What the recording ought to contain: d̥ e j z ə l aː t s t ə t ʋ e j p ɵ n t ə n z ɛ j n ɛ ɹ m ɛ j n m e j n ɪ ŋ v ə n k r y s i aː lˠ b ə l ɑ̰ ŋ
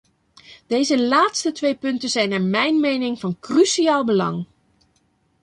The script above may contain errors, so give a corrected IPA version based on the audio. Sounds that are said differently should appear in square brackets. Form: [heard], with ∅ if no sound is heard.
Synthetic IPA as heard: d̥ e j z ə l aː t s t ə t ʋ e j p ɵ n t ə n z ɛ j n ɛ ɹ m ɛ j n m e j n ɪ ŋ v [ɑ] n k r y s i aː lˠ b ə l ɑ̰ ŋ